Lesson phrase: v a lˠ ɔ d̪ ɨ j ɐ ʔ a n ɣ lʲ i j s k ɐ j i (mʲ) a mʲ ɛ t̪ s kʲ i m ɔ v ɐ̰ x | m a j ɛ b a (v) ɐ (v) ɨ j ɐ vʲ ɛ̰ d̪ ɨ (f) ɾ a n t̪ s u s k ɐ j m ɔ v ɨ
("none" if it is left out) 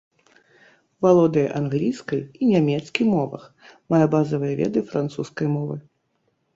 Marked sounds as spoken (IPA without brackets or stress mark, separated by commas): nʲ, z, v, f